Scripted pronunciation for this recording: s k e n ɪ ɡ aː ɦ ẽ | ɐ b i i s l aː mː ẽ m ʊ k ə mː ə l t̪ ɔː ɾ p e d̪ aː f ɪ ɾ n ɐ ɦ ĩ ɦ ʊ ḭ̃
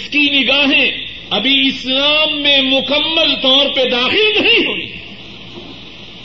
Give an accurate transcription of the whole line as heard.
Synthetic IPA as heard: s k i n ɪ ɡ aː ɦ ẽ | ɐ b i ɪ s l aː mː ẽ m ʊ k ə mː ə l t̪ ɔː ɾ p e d̪ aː x ɪ l n ɐ ɦ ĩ ɦ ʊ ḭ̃